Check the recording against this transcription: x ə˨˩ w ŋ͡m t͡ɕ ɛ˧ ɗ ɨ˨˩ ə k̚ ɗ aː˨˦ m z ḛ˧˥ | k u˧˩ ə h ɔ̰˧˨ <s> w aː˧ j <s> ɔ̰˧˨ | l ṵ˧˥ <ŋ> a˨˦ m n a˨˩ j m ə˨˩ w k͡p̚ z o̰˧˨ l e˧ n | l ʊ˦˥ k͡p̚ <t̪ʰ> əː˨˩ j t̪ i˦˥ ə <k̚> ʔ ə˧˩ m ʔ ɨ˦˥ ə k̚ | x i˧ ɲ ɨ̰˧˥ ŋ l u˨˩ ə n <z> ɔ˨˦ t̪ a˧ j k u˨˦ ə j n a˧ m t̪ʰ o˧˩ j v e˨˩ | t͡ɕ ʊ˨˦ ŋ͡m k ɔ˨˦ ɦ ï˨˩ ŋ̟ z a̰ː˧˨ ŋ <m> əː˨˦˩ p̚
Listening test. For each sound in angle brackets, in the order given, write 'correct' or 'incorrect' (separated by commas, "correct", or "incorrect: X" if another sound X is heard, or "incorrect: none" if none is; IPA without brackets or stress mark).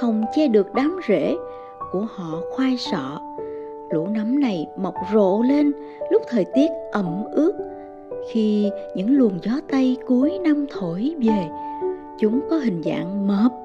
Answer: incorrect: x, correct, incorrect: n, correct, incorrect: t̚, correct, correct